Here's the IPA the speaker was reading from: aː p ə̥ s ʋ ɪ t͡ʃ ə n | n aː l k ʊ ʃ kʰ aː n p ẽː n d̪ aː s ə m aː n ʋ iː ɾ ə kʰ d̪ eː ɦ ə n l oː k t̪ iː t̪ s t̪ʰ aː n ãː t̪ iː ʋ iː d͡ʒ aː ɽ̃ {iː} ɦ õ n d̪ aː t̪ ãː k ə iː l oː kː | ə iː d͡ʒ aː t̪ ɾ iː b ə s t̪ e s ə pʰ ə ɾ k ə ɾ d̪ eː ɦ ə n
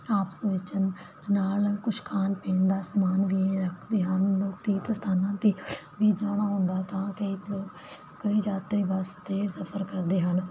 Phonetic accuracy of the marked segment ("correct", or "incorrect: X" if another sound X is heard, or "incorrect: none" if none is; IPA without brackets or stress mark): incorrect: aː